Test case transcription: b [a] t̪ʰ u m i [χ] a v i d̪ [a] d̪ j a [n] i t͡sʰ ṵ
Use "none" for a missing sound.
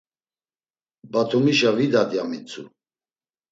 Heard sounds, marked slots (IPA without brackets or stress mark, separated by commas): a, ʃ, a, m